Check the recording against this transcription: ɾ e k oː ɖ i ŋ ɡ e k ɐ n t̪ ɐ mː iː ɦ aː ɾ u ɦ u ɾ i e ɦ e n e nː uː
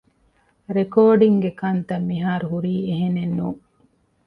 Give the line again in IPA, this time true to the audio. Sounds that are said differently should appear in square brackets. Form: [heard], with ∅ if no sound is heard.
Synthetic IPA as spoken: ɾ e k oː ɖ i ŋ ɡ e k ɐ n t̪ ɐ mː [i] ɦ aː ɾ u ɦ u ɾ [iː] e ɦ e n e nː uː